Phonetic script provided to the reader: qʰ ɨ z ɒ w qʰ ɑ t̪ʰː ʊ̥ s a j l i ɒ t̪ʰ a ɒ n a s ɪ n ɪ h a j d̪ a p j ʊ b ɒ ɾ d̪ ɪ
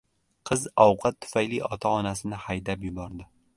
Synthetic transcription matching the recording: qʰ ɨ z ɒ w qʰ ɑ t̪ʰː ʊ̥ f a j l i ɒ t̪ʰ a ɒ n a s ɪ n ɪ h a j d̪ a p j ʊ b ɒ ɾ d̪ ɪ